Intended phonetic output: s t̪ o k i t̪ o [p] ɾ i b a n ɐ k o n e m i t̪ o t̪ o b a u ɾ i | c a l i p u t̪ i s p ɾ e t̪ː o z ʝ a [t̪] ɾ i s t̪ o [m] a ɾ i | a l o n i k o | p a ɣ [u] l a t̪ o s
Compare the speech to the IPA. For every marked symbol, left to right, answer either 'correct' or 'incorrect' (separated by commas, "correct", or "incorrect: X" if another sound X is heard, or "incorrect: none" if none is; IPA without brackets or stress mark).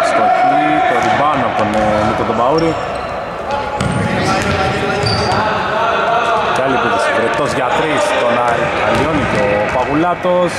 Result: incorrect: none, correct, incorrect: n, correct